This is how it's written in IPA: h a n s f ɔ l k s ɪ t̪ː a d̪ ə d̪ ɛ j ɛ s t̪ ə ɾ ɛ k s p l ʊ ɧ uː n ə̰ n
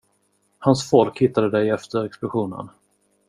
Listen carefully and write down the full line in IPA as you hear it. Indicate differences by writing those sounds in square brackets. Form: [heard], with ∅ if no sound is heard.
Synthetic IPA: h a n s f ɔ l k [h] ɪ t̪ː a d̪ ə d̪ ɛ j ɛ [f] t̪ ə ɾ ɛ k s p l ʊ ɧ uː n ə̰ n